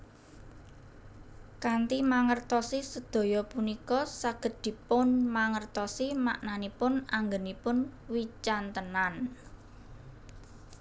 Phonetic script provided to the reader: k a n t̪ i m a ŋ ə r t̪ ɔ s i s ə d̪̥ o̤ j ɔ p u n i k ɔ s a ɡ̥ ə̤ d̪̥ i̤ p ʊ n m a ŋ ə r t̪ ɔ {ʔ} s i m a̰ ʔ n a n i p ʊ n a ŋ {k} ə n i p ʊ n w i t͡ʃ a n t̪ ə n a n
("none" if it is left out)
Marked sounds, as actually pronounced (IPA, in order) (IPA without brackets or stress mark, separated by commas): none, ɡ